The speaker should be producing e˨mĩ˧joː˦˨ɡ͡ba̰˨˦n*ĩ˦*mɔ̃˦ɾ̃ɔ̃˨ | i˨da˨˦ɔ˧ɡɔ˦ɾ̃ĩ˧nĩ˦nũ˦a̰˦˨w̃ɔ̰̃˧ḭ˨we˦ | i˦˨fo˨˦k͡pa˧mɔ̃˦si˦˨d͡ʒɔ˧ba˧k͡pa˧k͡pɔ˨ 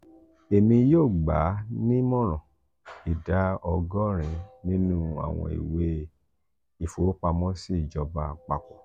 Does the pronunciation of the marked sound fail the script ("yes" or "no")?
no